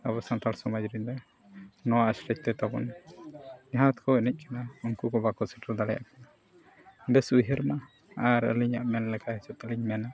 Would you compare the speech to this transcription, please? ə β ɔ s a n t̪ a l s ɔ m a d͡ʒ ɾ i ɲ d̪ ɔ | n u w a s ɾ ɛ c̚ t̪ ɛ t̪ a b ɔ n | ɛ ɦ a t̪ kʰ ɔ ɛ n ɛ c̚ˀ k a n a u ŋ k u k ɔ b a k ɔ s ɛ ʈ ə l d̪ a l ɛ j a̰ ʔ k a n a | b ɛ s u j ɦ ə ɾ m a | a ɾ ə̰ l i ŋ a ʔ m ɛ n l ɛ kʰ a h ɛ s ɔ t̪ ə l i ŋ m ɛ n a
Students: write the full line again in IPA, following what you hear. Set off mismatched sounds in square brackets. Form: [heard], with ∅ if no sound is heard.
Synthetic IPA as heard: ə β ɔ s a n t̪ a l s ɔ m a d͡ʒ ɾ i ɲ d̪ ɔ | n [ɔ] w a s ɾ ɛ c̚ t̪ ɛ t̪ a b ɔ n | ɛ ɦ a t̪ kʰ ɔ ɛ n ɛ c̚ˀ k a n a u ŋ k u k ɔ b a k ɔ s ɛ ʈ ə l d̪ a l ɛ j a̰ ʔ k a n a | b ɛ s u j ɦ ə ɾ m a | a ɾ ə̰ l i [ɲ] a ʔ m ɛ n l ɛ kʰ a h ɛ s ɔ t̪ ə l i [ɲ] m ɛ n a